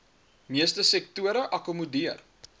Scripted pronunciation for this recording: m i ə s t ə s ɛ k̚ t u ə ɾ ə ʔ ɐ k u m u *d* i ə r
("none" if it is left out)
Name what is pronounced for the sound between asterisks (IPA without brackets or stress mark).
d